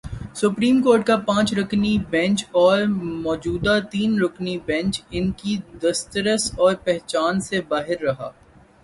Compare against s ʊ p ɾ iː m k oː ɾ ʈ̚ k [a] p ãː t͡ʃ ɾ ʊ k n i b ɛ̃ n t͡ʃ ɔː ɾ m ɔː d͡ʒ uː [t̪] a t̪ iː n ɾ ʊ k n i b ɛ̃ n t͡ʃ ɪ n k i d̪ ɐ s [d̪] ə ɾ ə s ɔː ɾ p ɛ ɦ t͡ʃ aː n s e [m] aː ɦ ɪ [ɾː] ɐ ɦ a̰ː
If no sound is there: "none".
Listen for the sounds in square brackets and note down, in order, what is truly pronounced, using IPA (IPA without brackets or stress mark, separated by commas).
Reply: a, d̪, t̪, b, ɾː